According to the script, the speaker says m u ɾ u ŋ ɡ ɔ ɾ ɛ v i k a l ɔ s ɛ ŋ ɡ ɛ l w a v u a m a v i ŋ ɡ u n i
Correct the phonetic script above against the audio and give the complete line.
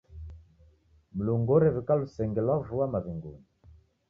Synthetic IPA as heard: m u l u ŋ ɡ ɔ ɾ ɛ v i k a l u s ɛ ŋ ɡ ɛ l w a v u a m a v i ŋ ɡ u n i